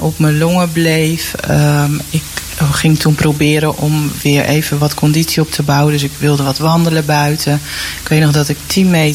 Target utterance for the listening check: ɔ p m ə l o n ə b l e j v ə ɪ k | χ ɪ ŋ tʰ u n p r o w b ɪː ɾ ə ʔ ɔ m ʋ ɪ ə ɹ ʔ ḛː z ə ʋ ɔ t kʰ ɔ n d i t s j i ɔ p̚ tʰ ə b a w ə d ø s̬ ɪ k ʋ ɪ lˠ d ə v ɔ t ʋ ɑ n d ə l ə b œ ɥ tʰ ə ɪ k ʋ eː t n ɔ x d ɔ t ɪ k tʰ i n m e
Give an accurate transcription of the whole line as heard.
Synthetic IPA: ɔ p m ə l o ŋ ə b l e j f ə ɪ k | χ ɪ ŋ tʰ u n p r o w b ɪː ɾ ə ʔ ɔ m ʋ ɪ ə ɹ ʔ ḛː v ə ʋ ɔ t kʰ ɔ n d i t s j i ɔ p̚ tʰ ə b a w ə d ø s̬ ɪ k ʋ ɪ lˠ d ə ʋ ɔ t ʋ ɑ n d ə l ə b œ ɥ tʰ ə ɪ k ʋ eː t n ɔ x d ɔ t ɪ k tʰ i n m e